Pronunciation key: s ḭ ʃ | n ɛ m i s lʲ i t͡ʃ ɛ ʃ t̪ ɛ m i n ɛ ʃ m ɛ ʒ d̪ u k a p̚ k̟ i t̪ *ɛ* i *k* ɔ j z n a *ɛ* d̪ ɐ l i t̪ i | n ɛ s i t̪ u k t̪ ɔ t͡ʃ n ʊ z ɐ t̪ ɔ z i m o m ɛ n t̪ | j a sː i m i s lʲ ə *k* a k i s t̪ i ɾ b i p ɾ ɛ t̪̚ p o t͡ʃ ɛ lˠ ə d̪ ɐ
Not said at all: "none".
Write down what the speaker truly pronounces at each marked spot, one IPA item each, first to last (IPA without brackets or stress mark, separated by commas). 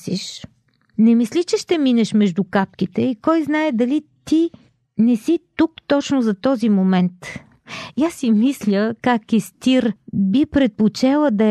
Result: ɛ, k, ɛ, k